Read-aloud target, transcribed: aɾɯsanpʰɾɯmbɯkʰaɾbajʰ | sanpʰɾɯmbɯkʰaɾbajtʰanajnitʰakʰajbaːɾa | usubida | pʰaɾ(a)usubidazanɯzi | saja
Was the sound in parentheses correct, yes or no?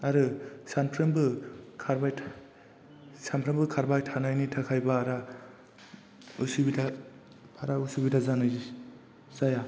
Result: yes